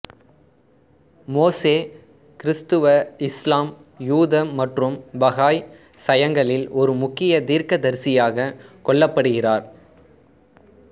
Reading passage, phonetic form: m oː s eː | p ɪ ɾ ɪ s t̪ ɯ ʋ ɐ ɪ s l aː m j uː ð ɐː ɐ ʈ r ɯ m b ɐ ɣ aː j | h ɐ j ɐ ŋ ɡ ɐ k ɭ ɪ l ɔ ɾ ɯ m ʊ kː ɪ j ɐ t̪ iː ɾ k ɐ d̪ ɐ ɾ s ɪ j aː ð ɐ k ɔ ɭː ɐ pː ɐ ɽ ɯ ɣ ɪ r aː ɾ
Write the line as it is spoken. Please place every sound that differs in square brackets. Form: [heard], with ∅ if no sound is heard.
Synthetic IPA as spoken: m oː s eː | [k] ɪ ɾ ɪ s t̪ ɯ ʋ ɐ ɪ s l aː m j uː ð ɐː ɐ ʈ r ɯ m b ɐ ɣ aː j | [s] ɐ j ɐ ŋ ɡ ɐ [∅] ɭ ɪ l ɔ ɾ ɯ m ʊ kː ɪ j ɐ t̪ iː ɾ k ɐ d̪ ɐ ɾ s ɪ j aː [ɣ] ɐ k ɔ ɭː ɐ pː ɐ ɽ ɯ ɣ ɪ r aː ɾ